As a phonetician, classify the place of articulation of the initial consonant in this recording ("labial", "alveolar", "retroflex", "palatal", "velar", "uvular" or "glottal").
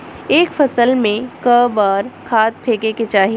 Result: velar